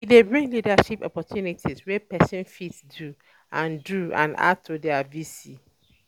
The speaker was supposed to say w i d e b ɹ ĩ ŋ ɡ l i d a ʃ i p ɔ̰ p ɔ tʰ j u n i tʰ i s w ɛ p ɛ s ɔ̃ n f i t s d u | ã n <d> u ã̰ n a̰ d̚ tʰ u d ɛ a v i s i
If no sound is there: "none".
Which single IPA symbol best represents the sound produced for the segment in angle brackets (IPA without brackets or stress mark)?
d